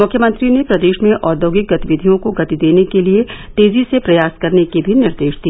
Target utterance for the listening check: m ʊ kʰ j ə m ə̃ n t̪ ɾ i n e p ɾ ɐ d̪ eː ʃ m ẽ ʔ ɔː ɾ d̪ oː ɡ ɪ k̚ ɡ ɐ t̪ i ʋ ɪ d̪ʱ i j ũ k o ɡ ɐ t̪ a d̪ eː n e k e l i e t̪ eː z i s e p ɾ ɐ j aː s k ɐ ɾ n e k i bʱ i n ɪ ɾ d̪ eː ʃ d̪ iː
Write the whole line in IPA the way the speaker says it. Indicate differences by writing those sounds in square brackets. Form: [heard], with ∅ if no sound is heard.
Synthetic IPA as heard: m ʊ kʰ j ə m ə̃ n t̪ ɾ i n e p ɾ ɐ d̪ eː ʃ m ẽ ʔ ɔː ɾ d̪ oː ɡ ɪ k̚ ɡ ɐ t̪ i ʋ ɪ d̪ʱ i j [õ] k o ɡ ɐ t̪ [i] d̪ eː n e k e l i e t̪ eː z i s e p ɾ ɐ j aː s k ɐ ɾ n e k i bʱ i n ɪ ɾ d̪ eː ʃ d̪ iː